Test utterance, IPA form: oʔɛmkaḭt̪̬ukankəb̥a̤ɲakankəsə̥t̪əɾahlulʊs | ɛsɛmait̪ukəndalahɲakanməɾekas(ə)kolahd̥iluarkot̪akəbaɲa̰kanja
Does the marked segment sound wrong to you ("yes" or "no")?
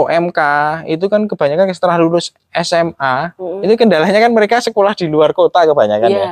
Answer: no